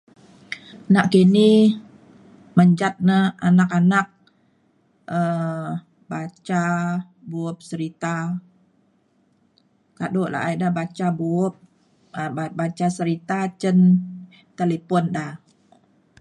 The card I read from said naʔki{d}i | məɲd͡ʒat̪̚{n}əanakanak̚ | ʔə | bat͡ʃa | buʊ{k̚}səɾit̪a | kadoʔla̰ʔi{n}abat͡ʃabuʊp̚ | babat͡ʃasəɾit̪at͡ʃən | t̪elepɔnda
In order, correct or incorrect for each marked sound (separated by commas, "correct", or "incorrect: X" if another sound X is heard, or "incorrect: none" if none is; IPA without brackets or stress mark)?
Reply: incorrect: n, correct, incorrect: p̚, incorrect: d